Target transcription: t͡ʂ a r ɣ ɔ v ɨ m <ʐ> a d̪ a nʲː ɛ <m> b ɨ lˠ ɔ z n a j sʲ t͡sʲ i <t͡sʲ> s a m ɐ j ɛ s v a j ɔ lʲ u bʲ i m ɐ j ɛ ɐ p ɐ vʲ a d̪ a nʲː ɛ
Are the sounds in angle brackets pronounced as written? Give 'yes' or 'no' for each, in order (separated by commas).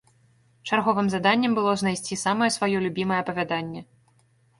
no, yes, no